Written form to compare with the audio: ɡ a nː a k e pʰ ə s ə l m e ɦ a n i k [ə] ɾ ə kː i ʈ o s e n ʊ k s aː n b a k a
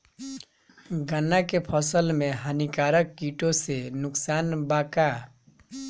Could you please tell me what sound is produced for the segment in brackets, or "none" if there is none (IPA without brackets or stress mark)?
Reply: a